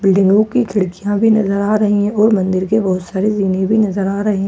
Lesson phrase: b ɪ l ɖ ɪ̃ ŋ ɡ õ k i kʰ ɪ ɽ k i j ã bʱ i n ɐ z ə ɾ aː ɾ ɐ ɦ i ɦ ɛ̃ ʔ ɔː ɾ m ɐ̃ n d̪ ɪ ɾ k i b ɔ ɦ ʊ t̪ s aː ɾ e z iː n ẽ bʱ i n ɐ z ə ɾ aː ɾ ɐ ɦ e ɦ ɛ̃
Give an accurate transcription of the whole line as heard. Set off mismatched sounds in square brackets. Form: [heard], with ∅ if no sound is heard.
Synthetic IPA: b ɪ l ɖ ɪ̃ ŋ ɡ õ k i kʰ ɪ ɽ k i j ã bʱ i n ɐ z ə ɾ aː ɾ ɐ ɦ i ɦ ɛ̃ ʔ ɔː ɾ m ɐ̃ n d̪ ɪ ɾ k [e] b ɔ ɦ ʊ t̪ s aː ɾ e z iː n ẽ bʱ i n ɐ z ə ɾ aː ɾ ɐ ɦ e ɦ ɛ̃